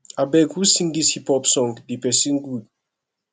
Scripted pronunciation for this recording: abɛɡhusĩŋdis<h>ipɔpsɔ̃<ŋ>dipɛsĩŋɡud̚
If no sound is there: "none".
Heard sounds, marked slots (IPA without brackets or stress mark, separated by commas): h, ŋ